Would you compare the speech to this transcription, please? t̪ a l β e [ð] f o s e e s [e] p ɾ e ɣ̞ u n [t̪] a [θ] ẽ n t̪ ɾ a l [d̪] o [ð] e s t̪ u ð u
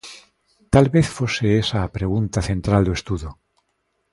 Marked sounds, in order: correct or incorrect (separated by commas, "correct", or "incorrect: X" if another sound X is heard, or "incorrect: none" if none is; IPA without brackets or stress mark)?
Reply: incorrect: θ, incorrect: a, correct, correct, correct, incorrect: none